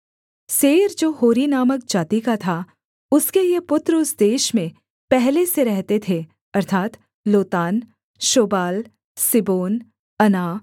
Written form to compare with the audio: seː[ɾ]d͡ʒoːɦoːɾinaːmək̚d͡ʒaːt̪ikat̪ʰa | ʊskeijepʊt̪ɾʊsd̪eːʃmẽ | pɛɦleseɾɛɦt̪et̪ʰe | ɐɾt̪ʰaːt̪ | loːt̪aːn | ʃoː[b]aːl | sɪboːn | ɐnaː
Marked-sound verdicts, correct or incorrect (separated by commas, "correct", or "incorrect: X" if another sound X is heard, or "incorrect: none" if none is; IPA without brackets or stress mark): correct, correct